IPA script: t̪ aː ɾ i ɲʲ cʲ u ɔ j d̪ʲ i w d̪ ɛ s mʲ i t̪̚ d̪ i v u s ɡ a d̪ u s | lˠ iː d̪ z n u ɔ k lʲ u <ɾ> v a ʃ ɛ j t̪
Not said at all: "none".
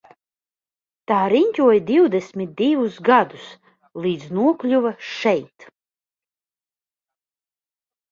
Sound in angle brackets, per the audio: none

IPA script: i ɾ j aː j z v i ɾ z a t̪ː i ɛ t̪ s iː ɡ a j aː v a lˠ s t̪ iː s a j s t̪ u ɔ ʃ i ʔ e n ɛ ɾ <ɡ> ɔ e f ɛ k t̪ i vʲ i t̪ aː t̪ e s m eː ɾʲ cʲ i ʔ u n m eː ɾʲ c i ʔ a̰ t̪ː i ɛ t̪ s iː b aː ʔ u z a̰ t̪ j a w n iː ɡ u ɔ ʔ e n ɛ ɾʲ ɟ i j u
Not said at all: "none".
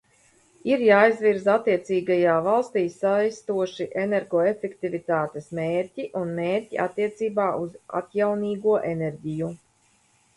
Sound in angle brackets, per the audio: ɡ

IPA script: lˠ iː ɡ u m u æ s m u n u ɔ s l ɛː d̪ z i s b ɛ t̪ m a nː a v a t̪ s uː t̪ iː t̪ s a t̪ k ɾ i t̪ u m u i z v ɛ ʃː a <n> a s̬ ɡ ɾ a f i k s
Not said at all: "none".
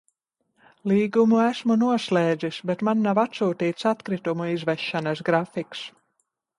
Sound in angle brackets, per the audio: n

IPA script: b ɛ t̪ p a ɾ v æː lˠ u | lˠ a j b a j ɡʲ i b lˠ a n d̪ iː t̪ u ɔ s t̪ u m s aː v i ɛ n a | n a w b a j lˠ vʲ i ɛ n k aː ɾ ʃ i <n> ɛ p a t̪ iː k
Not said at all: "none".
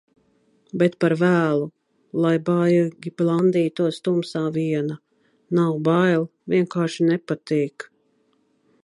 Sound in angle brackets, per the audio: n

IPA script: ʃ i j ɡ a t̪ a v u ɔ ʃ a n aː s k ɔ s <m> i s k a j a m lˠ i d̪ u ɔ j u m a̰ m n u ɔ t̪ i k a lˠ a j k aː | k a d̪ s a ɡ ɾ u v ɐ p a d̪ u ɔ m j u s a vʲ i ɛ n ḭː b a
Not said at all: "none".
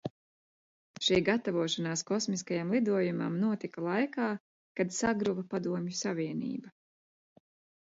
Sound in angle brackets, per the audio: m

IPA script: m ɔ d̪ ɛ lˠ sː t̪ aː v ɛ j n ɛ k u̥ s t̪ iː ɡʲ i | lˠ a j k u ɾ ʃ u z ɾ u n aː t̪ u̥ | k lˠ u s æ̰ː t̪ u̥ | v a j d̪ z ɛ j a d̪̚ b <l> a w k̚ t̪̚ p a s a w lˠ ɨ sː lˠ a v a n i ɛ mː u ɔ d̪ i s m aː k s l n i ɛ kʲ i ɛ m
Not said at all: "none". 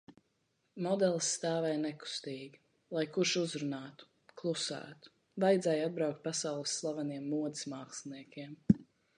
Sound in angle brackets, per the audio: ɾ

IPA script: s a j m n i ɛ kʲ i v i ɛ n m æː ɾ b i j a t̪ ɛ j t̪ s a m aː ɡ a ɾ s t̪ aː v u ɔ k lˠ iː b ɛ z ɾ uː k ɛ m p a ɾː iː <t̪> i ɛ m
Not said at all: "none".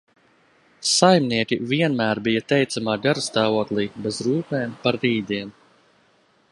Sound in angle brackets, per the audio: d̪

